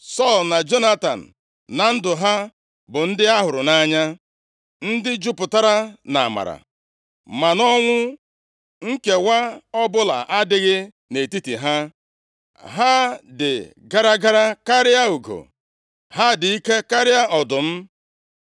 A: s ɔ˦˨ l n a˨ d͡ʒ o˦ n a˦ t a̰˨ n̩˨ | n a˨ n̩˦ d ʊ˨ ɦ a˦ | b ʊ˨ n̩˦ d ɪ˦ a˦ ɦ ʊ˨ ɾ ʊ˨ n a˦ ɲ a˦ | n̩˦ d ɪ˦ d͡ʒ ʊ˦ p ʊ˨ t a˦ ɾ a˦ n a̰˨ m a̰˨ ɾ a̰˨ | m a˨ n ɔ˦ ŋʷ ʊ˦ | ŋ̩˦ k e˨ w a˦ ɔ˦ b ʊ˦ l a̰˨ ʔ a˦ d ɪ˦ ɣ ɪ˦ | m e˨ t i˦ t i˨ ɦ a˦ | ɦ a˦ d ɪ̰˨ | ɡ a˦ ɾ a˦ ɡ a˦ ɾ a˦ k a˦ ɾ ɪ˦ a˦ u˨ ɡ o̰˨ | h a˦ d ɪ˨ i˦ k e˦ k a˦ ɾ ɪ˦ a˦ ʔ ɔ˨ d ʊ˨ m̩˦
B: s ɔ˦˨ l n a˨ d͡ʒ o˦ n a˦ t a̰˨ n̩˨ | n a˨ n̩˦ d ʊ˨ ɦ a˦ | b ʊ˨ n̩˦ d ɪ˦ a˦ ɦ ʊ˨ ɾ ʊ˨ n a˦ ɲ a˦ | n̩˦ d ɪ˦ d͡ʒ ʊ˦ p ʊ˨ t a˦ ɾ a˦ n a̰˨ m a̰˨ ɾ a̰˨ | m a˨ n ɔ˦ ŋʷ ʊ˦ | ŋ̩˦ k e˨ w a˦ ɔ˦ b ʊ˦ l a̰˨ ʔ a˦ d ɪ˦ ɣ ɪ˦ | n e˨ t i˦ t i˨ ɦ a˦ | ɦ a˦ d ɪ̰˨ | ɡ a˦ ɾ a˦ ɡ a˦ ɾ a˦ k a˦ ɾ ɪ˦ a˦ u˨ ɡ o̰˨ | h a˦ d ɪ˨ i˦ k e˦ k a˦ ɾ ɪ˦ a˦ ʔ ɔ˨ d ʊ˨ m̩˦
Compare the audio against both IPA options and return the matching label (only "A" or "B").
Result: B